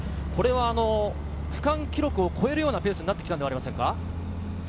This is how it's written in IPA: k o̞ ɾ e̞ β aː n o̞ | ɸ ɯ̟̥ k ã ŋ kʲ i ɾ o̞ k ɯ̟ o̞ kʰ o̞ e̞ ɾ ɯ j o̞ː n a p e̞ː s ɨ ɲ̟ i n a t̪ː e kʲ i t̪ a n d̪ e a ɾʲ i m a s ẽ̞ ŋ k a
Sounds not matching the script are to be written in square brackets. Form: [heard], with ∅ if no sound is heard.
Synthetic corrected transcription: k o̞ ɾ e̞ β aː n o̞ | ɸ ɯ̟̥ k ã ŋ kʲ i ɾ o̞ k ɯ̟ o̞ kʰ o̞ e̞ ɾ ɯ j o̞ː n a p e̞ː s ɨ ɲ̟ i n a t̪ː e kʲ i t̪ a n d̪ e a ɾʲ i m a s ẽ̞ ŋ k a